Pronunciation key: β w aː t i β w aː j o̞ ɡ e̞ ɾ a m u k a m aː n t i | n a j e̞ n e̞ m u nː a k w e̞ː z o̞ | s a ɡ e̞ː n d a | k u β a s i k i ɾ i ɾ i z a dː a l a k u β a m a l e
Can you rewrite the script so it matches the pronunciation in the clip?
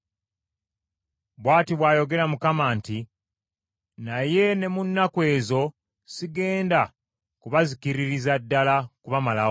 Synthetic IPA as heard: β w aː t i β w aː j o̞ ɡ e̞ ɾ a m u k a m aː n t i | n a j e̞ n e̞ m u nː a k w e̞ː z o̞ | s i ɡ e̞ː n d a | k u β a z i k i ɾ i ɾ i z a dː a l a k u β a m a l a